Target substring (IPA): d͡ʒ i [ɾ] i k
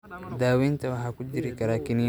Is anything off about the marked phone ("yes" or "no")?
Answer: no